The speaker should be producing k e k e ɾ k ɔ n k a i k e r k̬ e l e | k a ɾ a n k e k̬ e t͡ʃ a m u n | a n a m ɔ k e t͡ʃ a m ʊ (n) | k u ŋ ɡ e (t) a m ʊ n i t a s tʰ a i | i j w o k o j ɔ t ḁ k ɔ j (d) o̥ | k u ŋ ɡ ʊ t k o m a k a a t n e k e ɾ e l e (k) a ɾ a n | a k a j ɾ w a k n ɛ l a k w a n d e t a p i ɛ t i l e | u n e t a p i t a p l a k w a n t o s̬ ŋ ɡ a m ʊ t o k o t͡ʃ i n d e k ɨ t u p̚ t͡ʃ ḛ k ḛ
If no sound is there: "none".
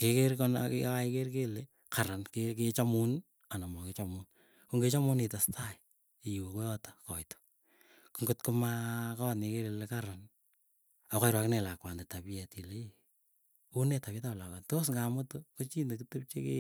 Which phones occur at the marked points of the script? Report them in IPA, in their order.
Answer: n, t͡ʃ, t, k

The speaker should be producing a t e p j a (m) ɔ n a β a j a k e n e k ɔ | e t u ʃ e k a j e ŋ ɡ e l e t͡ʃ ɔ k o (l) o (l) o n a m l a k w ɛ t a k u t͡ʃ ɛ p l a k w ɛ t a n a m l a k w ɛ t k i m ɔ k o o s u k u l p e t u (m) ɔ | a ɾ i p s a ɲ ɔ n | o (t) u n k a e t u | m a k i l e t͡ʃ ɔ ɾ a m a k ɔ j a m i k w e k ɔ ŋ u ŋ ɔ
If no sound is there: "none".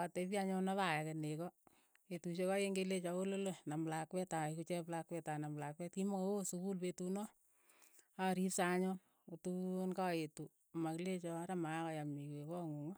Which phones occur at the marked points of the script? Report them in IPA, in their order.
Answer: ɲ, l, l, n, t

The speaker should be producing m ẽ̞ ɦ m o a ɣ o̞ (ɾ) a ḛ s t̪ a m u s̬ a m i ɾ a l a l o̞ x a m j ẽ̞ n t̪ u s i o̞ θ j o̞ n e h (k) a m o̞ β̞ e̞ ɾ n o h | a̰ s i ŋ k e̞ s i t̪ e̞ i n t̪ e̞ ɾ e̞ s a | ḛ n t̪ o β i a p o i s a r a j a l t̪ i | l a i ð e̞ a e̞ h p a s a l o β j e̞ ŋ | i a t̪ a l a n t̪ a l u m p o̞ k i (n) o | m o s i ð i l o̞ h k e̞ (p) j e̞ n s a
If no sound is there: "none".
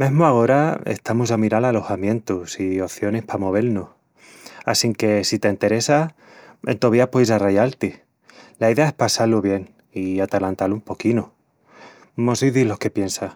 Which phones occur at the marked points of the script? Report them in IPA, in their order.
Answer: ɾ, p, n, p

